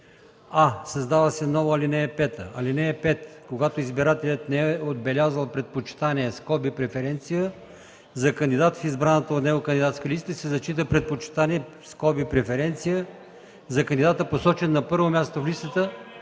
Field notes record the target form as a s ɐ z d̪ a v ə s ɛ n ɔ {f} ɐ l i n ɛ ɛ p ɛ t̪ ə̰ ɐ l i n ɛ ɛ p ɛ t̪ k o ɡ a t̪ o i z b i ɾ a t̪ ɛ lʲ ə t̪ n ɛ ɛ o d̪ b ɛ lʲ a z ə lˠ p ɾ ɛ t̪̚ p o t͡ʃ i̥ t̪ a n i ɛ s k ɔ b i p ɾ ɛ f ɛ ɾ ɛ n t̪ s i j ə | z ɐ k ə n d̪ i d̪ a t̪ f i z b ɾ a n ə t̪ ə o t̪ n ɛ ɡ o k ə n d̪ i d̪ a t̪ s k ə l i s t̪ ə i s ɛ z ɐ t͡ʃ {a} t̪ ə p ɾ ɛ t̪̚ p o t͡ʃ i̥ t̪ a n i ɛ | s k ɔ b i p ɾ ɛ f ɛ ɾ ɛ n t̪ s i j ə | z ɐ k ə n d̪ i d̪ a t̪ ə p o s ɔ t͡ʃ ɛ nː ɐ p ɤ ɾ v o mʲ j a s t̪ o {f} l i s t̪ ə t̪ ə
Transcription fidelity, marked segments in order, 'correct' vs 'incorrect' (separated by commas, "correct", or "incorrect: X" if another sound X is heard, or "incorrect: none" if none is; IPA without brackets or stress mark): incorrect: v, incorrect: i, correct